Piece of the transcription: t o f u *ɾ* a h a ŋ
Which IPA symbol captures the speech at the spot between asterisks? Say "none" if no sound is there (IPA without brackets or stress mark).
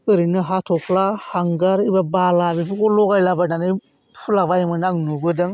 l